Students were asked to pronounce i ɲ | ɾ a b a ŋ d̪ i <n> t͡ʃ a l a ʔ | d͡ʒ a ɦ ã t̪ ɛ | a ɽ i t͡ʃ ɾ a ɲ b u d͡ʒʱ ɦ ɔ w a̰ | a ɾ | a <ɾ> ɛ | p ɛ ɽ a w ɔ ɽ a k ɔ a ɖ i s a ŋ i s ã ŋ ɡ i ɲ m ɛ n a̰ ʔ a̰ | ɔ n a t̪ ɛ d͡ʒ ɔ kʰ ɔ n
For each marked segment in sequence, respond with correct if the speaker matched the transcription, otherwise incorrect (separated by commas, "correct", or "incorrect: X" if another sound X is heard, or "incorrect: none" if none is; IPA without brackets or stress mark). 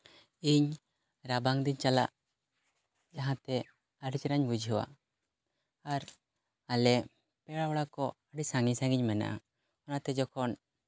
incorrect: ɲ, incorrect: l